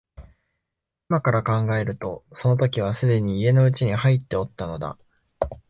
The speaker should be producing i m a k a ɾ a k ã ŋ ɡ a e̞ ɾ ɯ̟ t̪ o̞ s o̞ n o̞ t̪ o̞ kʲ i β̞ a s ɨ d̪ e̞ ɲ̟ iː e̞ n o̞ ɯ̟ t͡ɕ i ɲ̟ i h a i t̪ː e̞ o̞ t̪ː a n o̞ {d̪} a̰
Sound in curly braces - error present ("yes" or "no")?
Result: no